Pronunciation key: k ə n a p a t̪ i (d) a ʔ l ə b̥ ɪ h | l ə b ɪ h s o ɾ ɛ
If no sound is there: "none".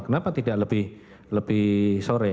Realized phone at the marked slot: d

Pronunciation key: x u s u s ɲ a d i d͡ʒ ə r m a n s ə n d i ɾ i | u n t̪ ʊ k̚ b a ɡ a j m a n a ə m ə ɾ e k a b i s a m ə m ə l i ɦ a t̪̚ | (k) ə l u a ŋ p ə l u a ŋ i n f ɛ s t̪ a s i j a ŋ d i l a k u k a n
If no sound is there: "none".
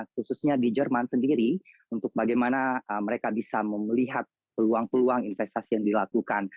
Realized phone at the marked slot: p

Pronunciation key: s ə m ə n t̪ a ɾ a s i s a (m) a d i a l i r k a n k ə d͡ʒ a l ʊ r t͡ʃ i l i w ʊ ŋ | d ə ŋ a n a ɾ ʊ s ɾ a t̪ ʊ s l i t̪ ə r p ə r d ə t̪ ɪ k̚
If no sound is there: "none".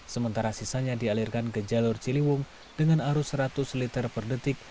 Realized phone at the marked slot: ɲ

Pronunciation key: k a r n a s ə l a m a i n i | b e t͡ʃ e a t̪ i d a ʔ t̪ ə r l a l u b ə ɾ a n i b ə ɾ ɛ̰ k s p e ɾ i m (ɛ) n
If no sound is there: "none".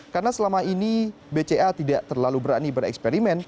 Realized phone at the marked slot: ɛ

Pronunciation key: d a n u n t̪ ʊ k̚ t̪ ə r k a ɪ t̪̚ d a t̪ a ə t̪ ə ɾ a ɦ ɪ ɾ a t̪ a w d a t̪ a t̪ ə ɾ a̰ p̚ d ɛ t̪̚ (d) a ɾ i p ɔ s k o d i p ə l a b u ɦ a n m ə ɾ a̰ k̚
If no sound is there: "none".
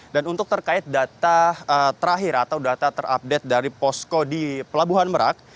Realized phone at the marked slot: d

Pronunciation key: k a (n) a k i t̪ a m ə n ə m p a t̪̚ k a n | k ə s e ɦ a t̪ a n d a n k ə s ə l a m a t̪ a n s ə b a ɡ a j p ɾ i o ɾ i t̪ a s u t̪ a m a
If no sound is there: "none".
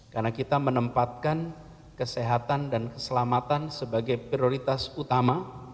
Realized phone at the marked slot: n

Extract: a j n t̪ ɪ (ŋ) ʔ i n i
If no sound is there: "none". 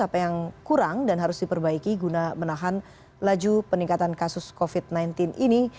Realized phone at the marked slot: n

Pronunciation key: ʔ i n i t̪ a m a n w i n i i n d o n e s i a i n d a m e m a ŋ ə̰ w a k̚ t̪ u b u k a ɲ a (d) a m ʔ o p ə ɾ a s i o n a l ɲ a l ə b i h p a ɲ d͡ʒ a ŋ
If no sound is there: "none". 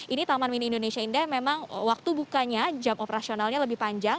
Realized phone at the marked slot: d͡ʒ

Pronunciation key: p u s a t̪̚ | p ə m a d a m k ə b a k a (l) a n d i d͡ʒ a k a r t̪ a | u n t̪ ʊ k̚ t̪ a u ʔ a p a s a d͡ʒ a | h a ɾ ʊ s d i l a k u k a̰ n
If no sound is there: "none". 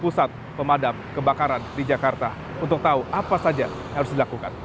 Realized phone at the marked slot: ɾ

